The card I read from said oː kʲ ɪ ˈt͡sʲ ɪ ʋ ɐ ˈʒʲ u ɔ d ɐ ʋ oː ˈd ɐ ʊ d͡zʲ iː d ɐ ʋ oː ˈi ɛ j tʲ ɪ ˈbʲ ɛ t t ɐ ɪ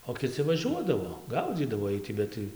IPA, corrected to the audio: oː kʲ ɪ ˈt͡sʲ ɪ ʋ ɐ ˈʒʲ u ɔ d ɐ ʋ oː ˈɡ ɐ ʊ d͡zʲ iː d ɐ ʋ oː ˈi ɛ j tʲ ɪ ˈbʲ ɛ t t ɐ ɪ